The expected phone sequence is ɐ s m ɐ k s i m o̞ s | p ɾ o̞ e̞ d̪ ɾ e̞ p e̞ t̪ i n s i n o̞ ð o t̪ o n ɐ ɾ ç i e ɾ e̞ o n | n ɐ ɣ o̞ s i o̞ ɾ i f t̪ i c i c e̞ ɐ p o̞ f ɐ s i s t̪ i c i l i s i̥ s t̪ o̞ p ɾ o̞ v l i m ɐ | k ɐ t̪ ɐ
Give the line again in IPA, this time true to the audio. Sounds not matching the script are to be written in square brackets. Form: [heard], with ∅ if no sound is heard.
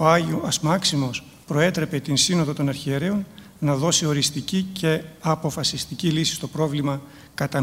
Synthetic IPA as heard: ɐ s m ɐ k s i m o̞ s | p ɾ o̞ e̞ [t̪] ɾ e̞ p e̞ t̪ i n s i n o̞ ð o t̪ o n ɐ ɾ ç i e ɾ e̞ o n | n ɐ [ð] o̞ s i o̞ ɾ i [s] t̪ i c i c e̞ ɐ p o̞ f ɐ s i s t̪ i c i l i s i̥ s t̪ o̞ p ɾ o̞ v l i m ɐ | k ɐ t̪ ɐ